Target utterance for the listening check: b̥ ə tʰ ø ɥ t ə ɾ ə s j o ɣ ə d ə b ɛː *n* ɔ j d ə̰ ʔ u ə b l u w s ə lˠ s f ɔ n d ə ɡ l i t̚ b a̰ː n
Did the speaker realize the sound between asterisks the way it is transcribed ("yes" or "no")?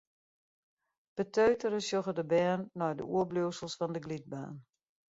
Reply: no